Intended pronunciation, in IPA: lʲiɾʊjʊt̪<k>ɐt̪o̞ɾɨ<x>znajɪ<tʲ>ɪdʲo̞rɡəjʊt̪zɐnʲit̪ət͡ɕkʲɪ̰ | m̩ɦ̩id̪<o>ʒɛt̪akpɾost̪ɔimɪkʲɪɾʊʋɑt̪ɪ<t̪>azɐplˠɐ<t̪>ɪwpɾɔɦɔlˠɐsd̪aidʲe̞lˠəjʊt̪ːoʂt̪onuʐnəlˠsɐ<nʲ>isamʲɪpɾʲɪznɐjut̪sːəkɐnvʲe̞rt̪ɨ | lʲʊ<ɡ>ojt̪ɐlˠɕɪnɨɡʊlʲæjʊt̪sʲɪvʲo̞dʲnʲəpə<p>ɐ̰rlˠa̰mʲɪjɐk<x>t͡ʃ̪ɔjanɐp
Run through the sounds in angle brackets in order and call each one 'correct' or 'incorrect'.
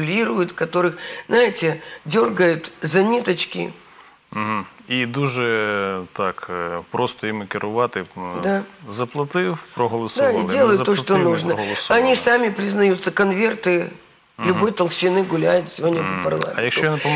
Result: correct, correct, correct, incorrect, incorrect, correct, correct, incorrect, correct, incorrect

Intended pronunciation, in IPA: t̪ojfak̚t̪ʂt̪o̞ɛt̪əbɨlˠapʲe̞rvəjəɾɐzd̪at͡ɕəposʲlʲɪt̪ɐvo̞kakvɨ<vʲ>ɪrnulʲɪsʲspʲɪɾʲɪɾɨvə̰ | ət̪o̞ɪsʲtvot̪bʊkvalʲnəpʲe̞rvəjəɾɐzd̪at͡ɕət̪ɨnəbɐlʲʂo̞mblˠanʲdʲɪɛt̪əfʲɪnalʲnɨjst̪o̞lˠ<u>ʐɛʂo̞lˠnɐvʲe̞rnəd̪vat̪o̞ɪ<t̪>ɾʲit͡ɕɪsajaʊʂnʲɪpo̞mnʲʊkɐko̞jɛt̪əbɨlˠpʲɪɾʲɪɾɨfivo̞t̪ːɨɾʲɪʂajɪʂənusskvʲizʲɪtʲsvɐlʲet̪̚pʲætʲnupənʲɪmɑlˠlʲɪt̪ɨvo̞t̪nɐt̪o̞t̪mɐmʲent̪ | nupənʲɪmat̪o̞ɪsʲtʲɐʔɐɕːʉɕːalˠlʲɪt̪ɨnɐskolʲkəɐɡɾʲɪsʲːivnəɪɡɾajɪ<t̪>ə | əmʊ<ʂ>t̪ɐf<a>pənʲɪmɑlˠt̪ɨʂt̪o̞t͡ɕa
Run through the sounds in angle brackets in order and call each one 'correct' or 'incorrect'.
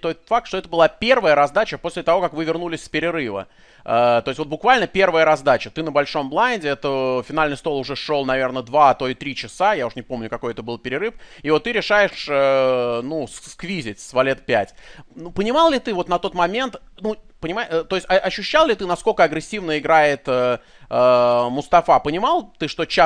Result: correct, incorrect, correct, correct, incorrect, correct

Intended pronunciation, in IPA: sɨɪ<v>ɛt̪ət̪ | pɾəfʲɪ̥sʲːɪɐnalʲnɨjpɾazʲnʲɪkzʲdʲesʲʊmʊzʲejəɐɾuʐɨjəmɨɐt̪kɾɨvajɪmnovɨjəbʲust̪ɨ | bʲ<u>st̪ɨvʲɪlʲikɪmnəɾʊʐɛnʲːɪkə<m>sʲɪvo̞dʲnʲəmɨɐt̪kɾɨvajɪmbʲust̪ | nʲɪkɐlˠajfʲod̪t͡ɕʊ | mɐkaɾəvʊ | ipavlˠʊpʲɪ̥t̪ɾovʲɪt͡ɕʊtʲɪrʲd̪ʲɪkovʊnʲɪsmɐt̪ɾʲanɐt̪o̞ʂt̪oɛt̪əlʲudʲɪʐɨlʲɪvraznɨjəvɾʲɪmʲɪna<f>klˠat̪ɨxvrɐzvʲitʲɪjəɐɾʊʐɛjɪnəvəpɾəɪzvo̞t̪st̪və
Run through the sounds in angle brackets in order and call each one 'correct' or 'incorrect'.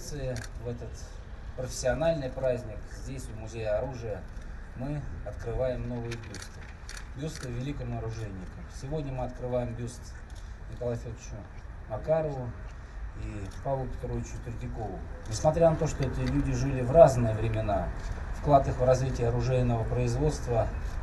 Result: correct, correct, correct, correct

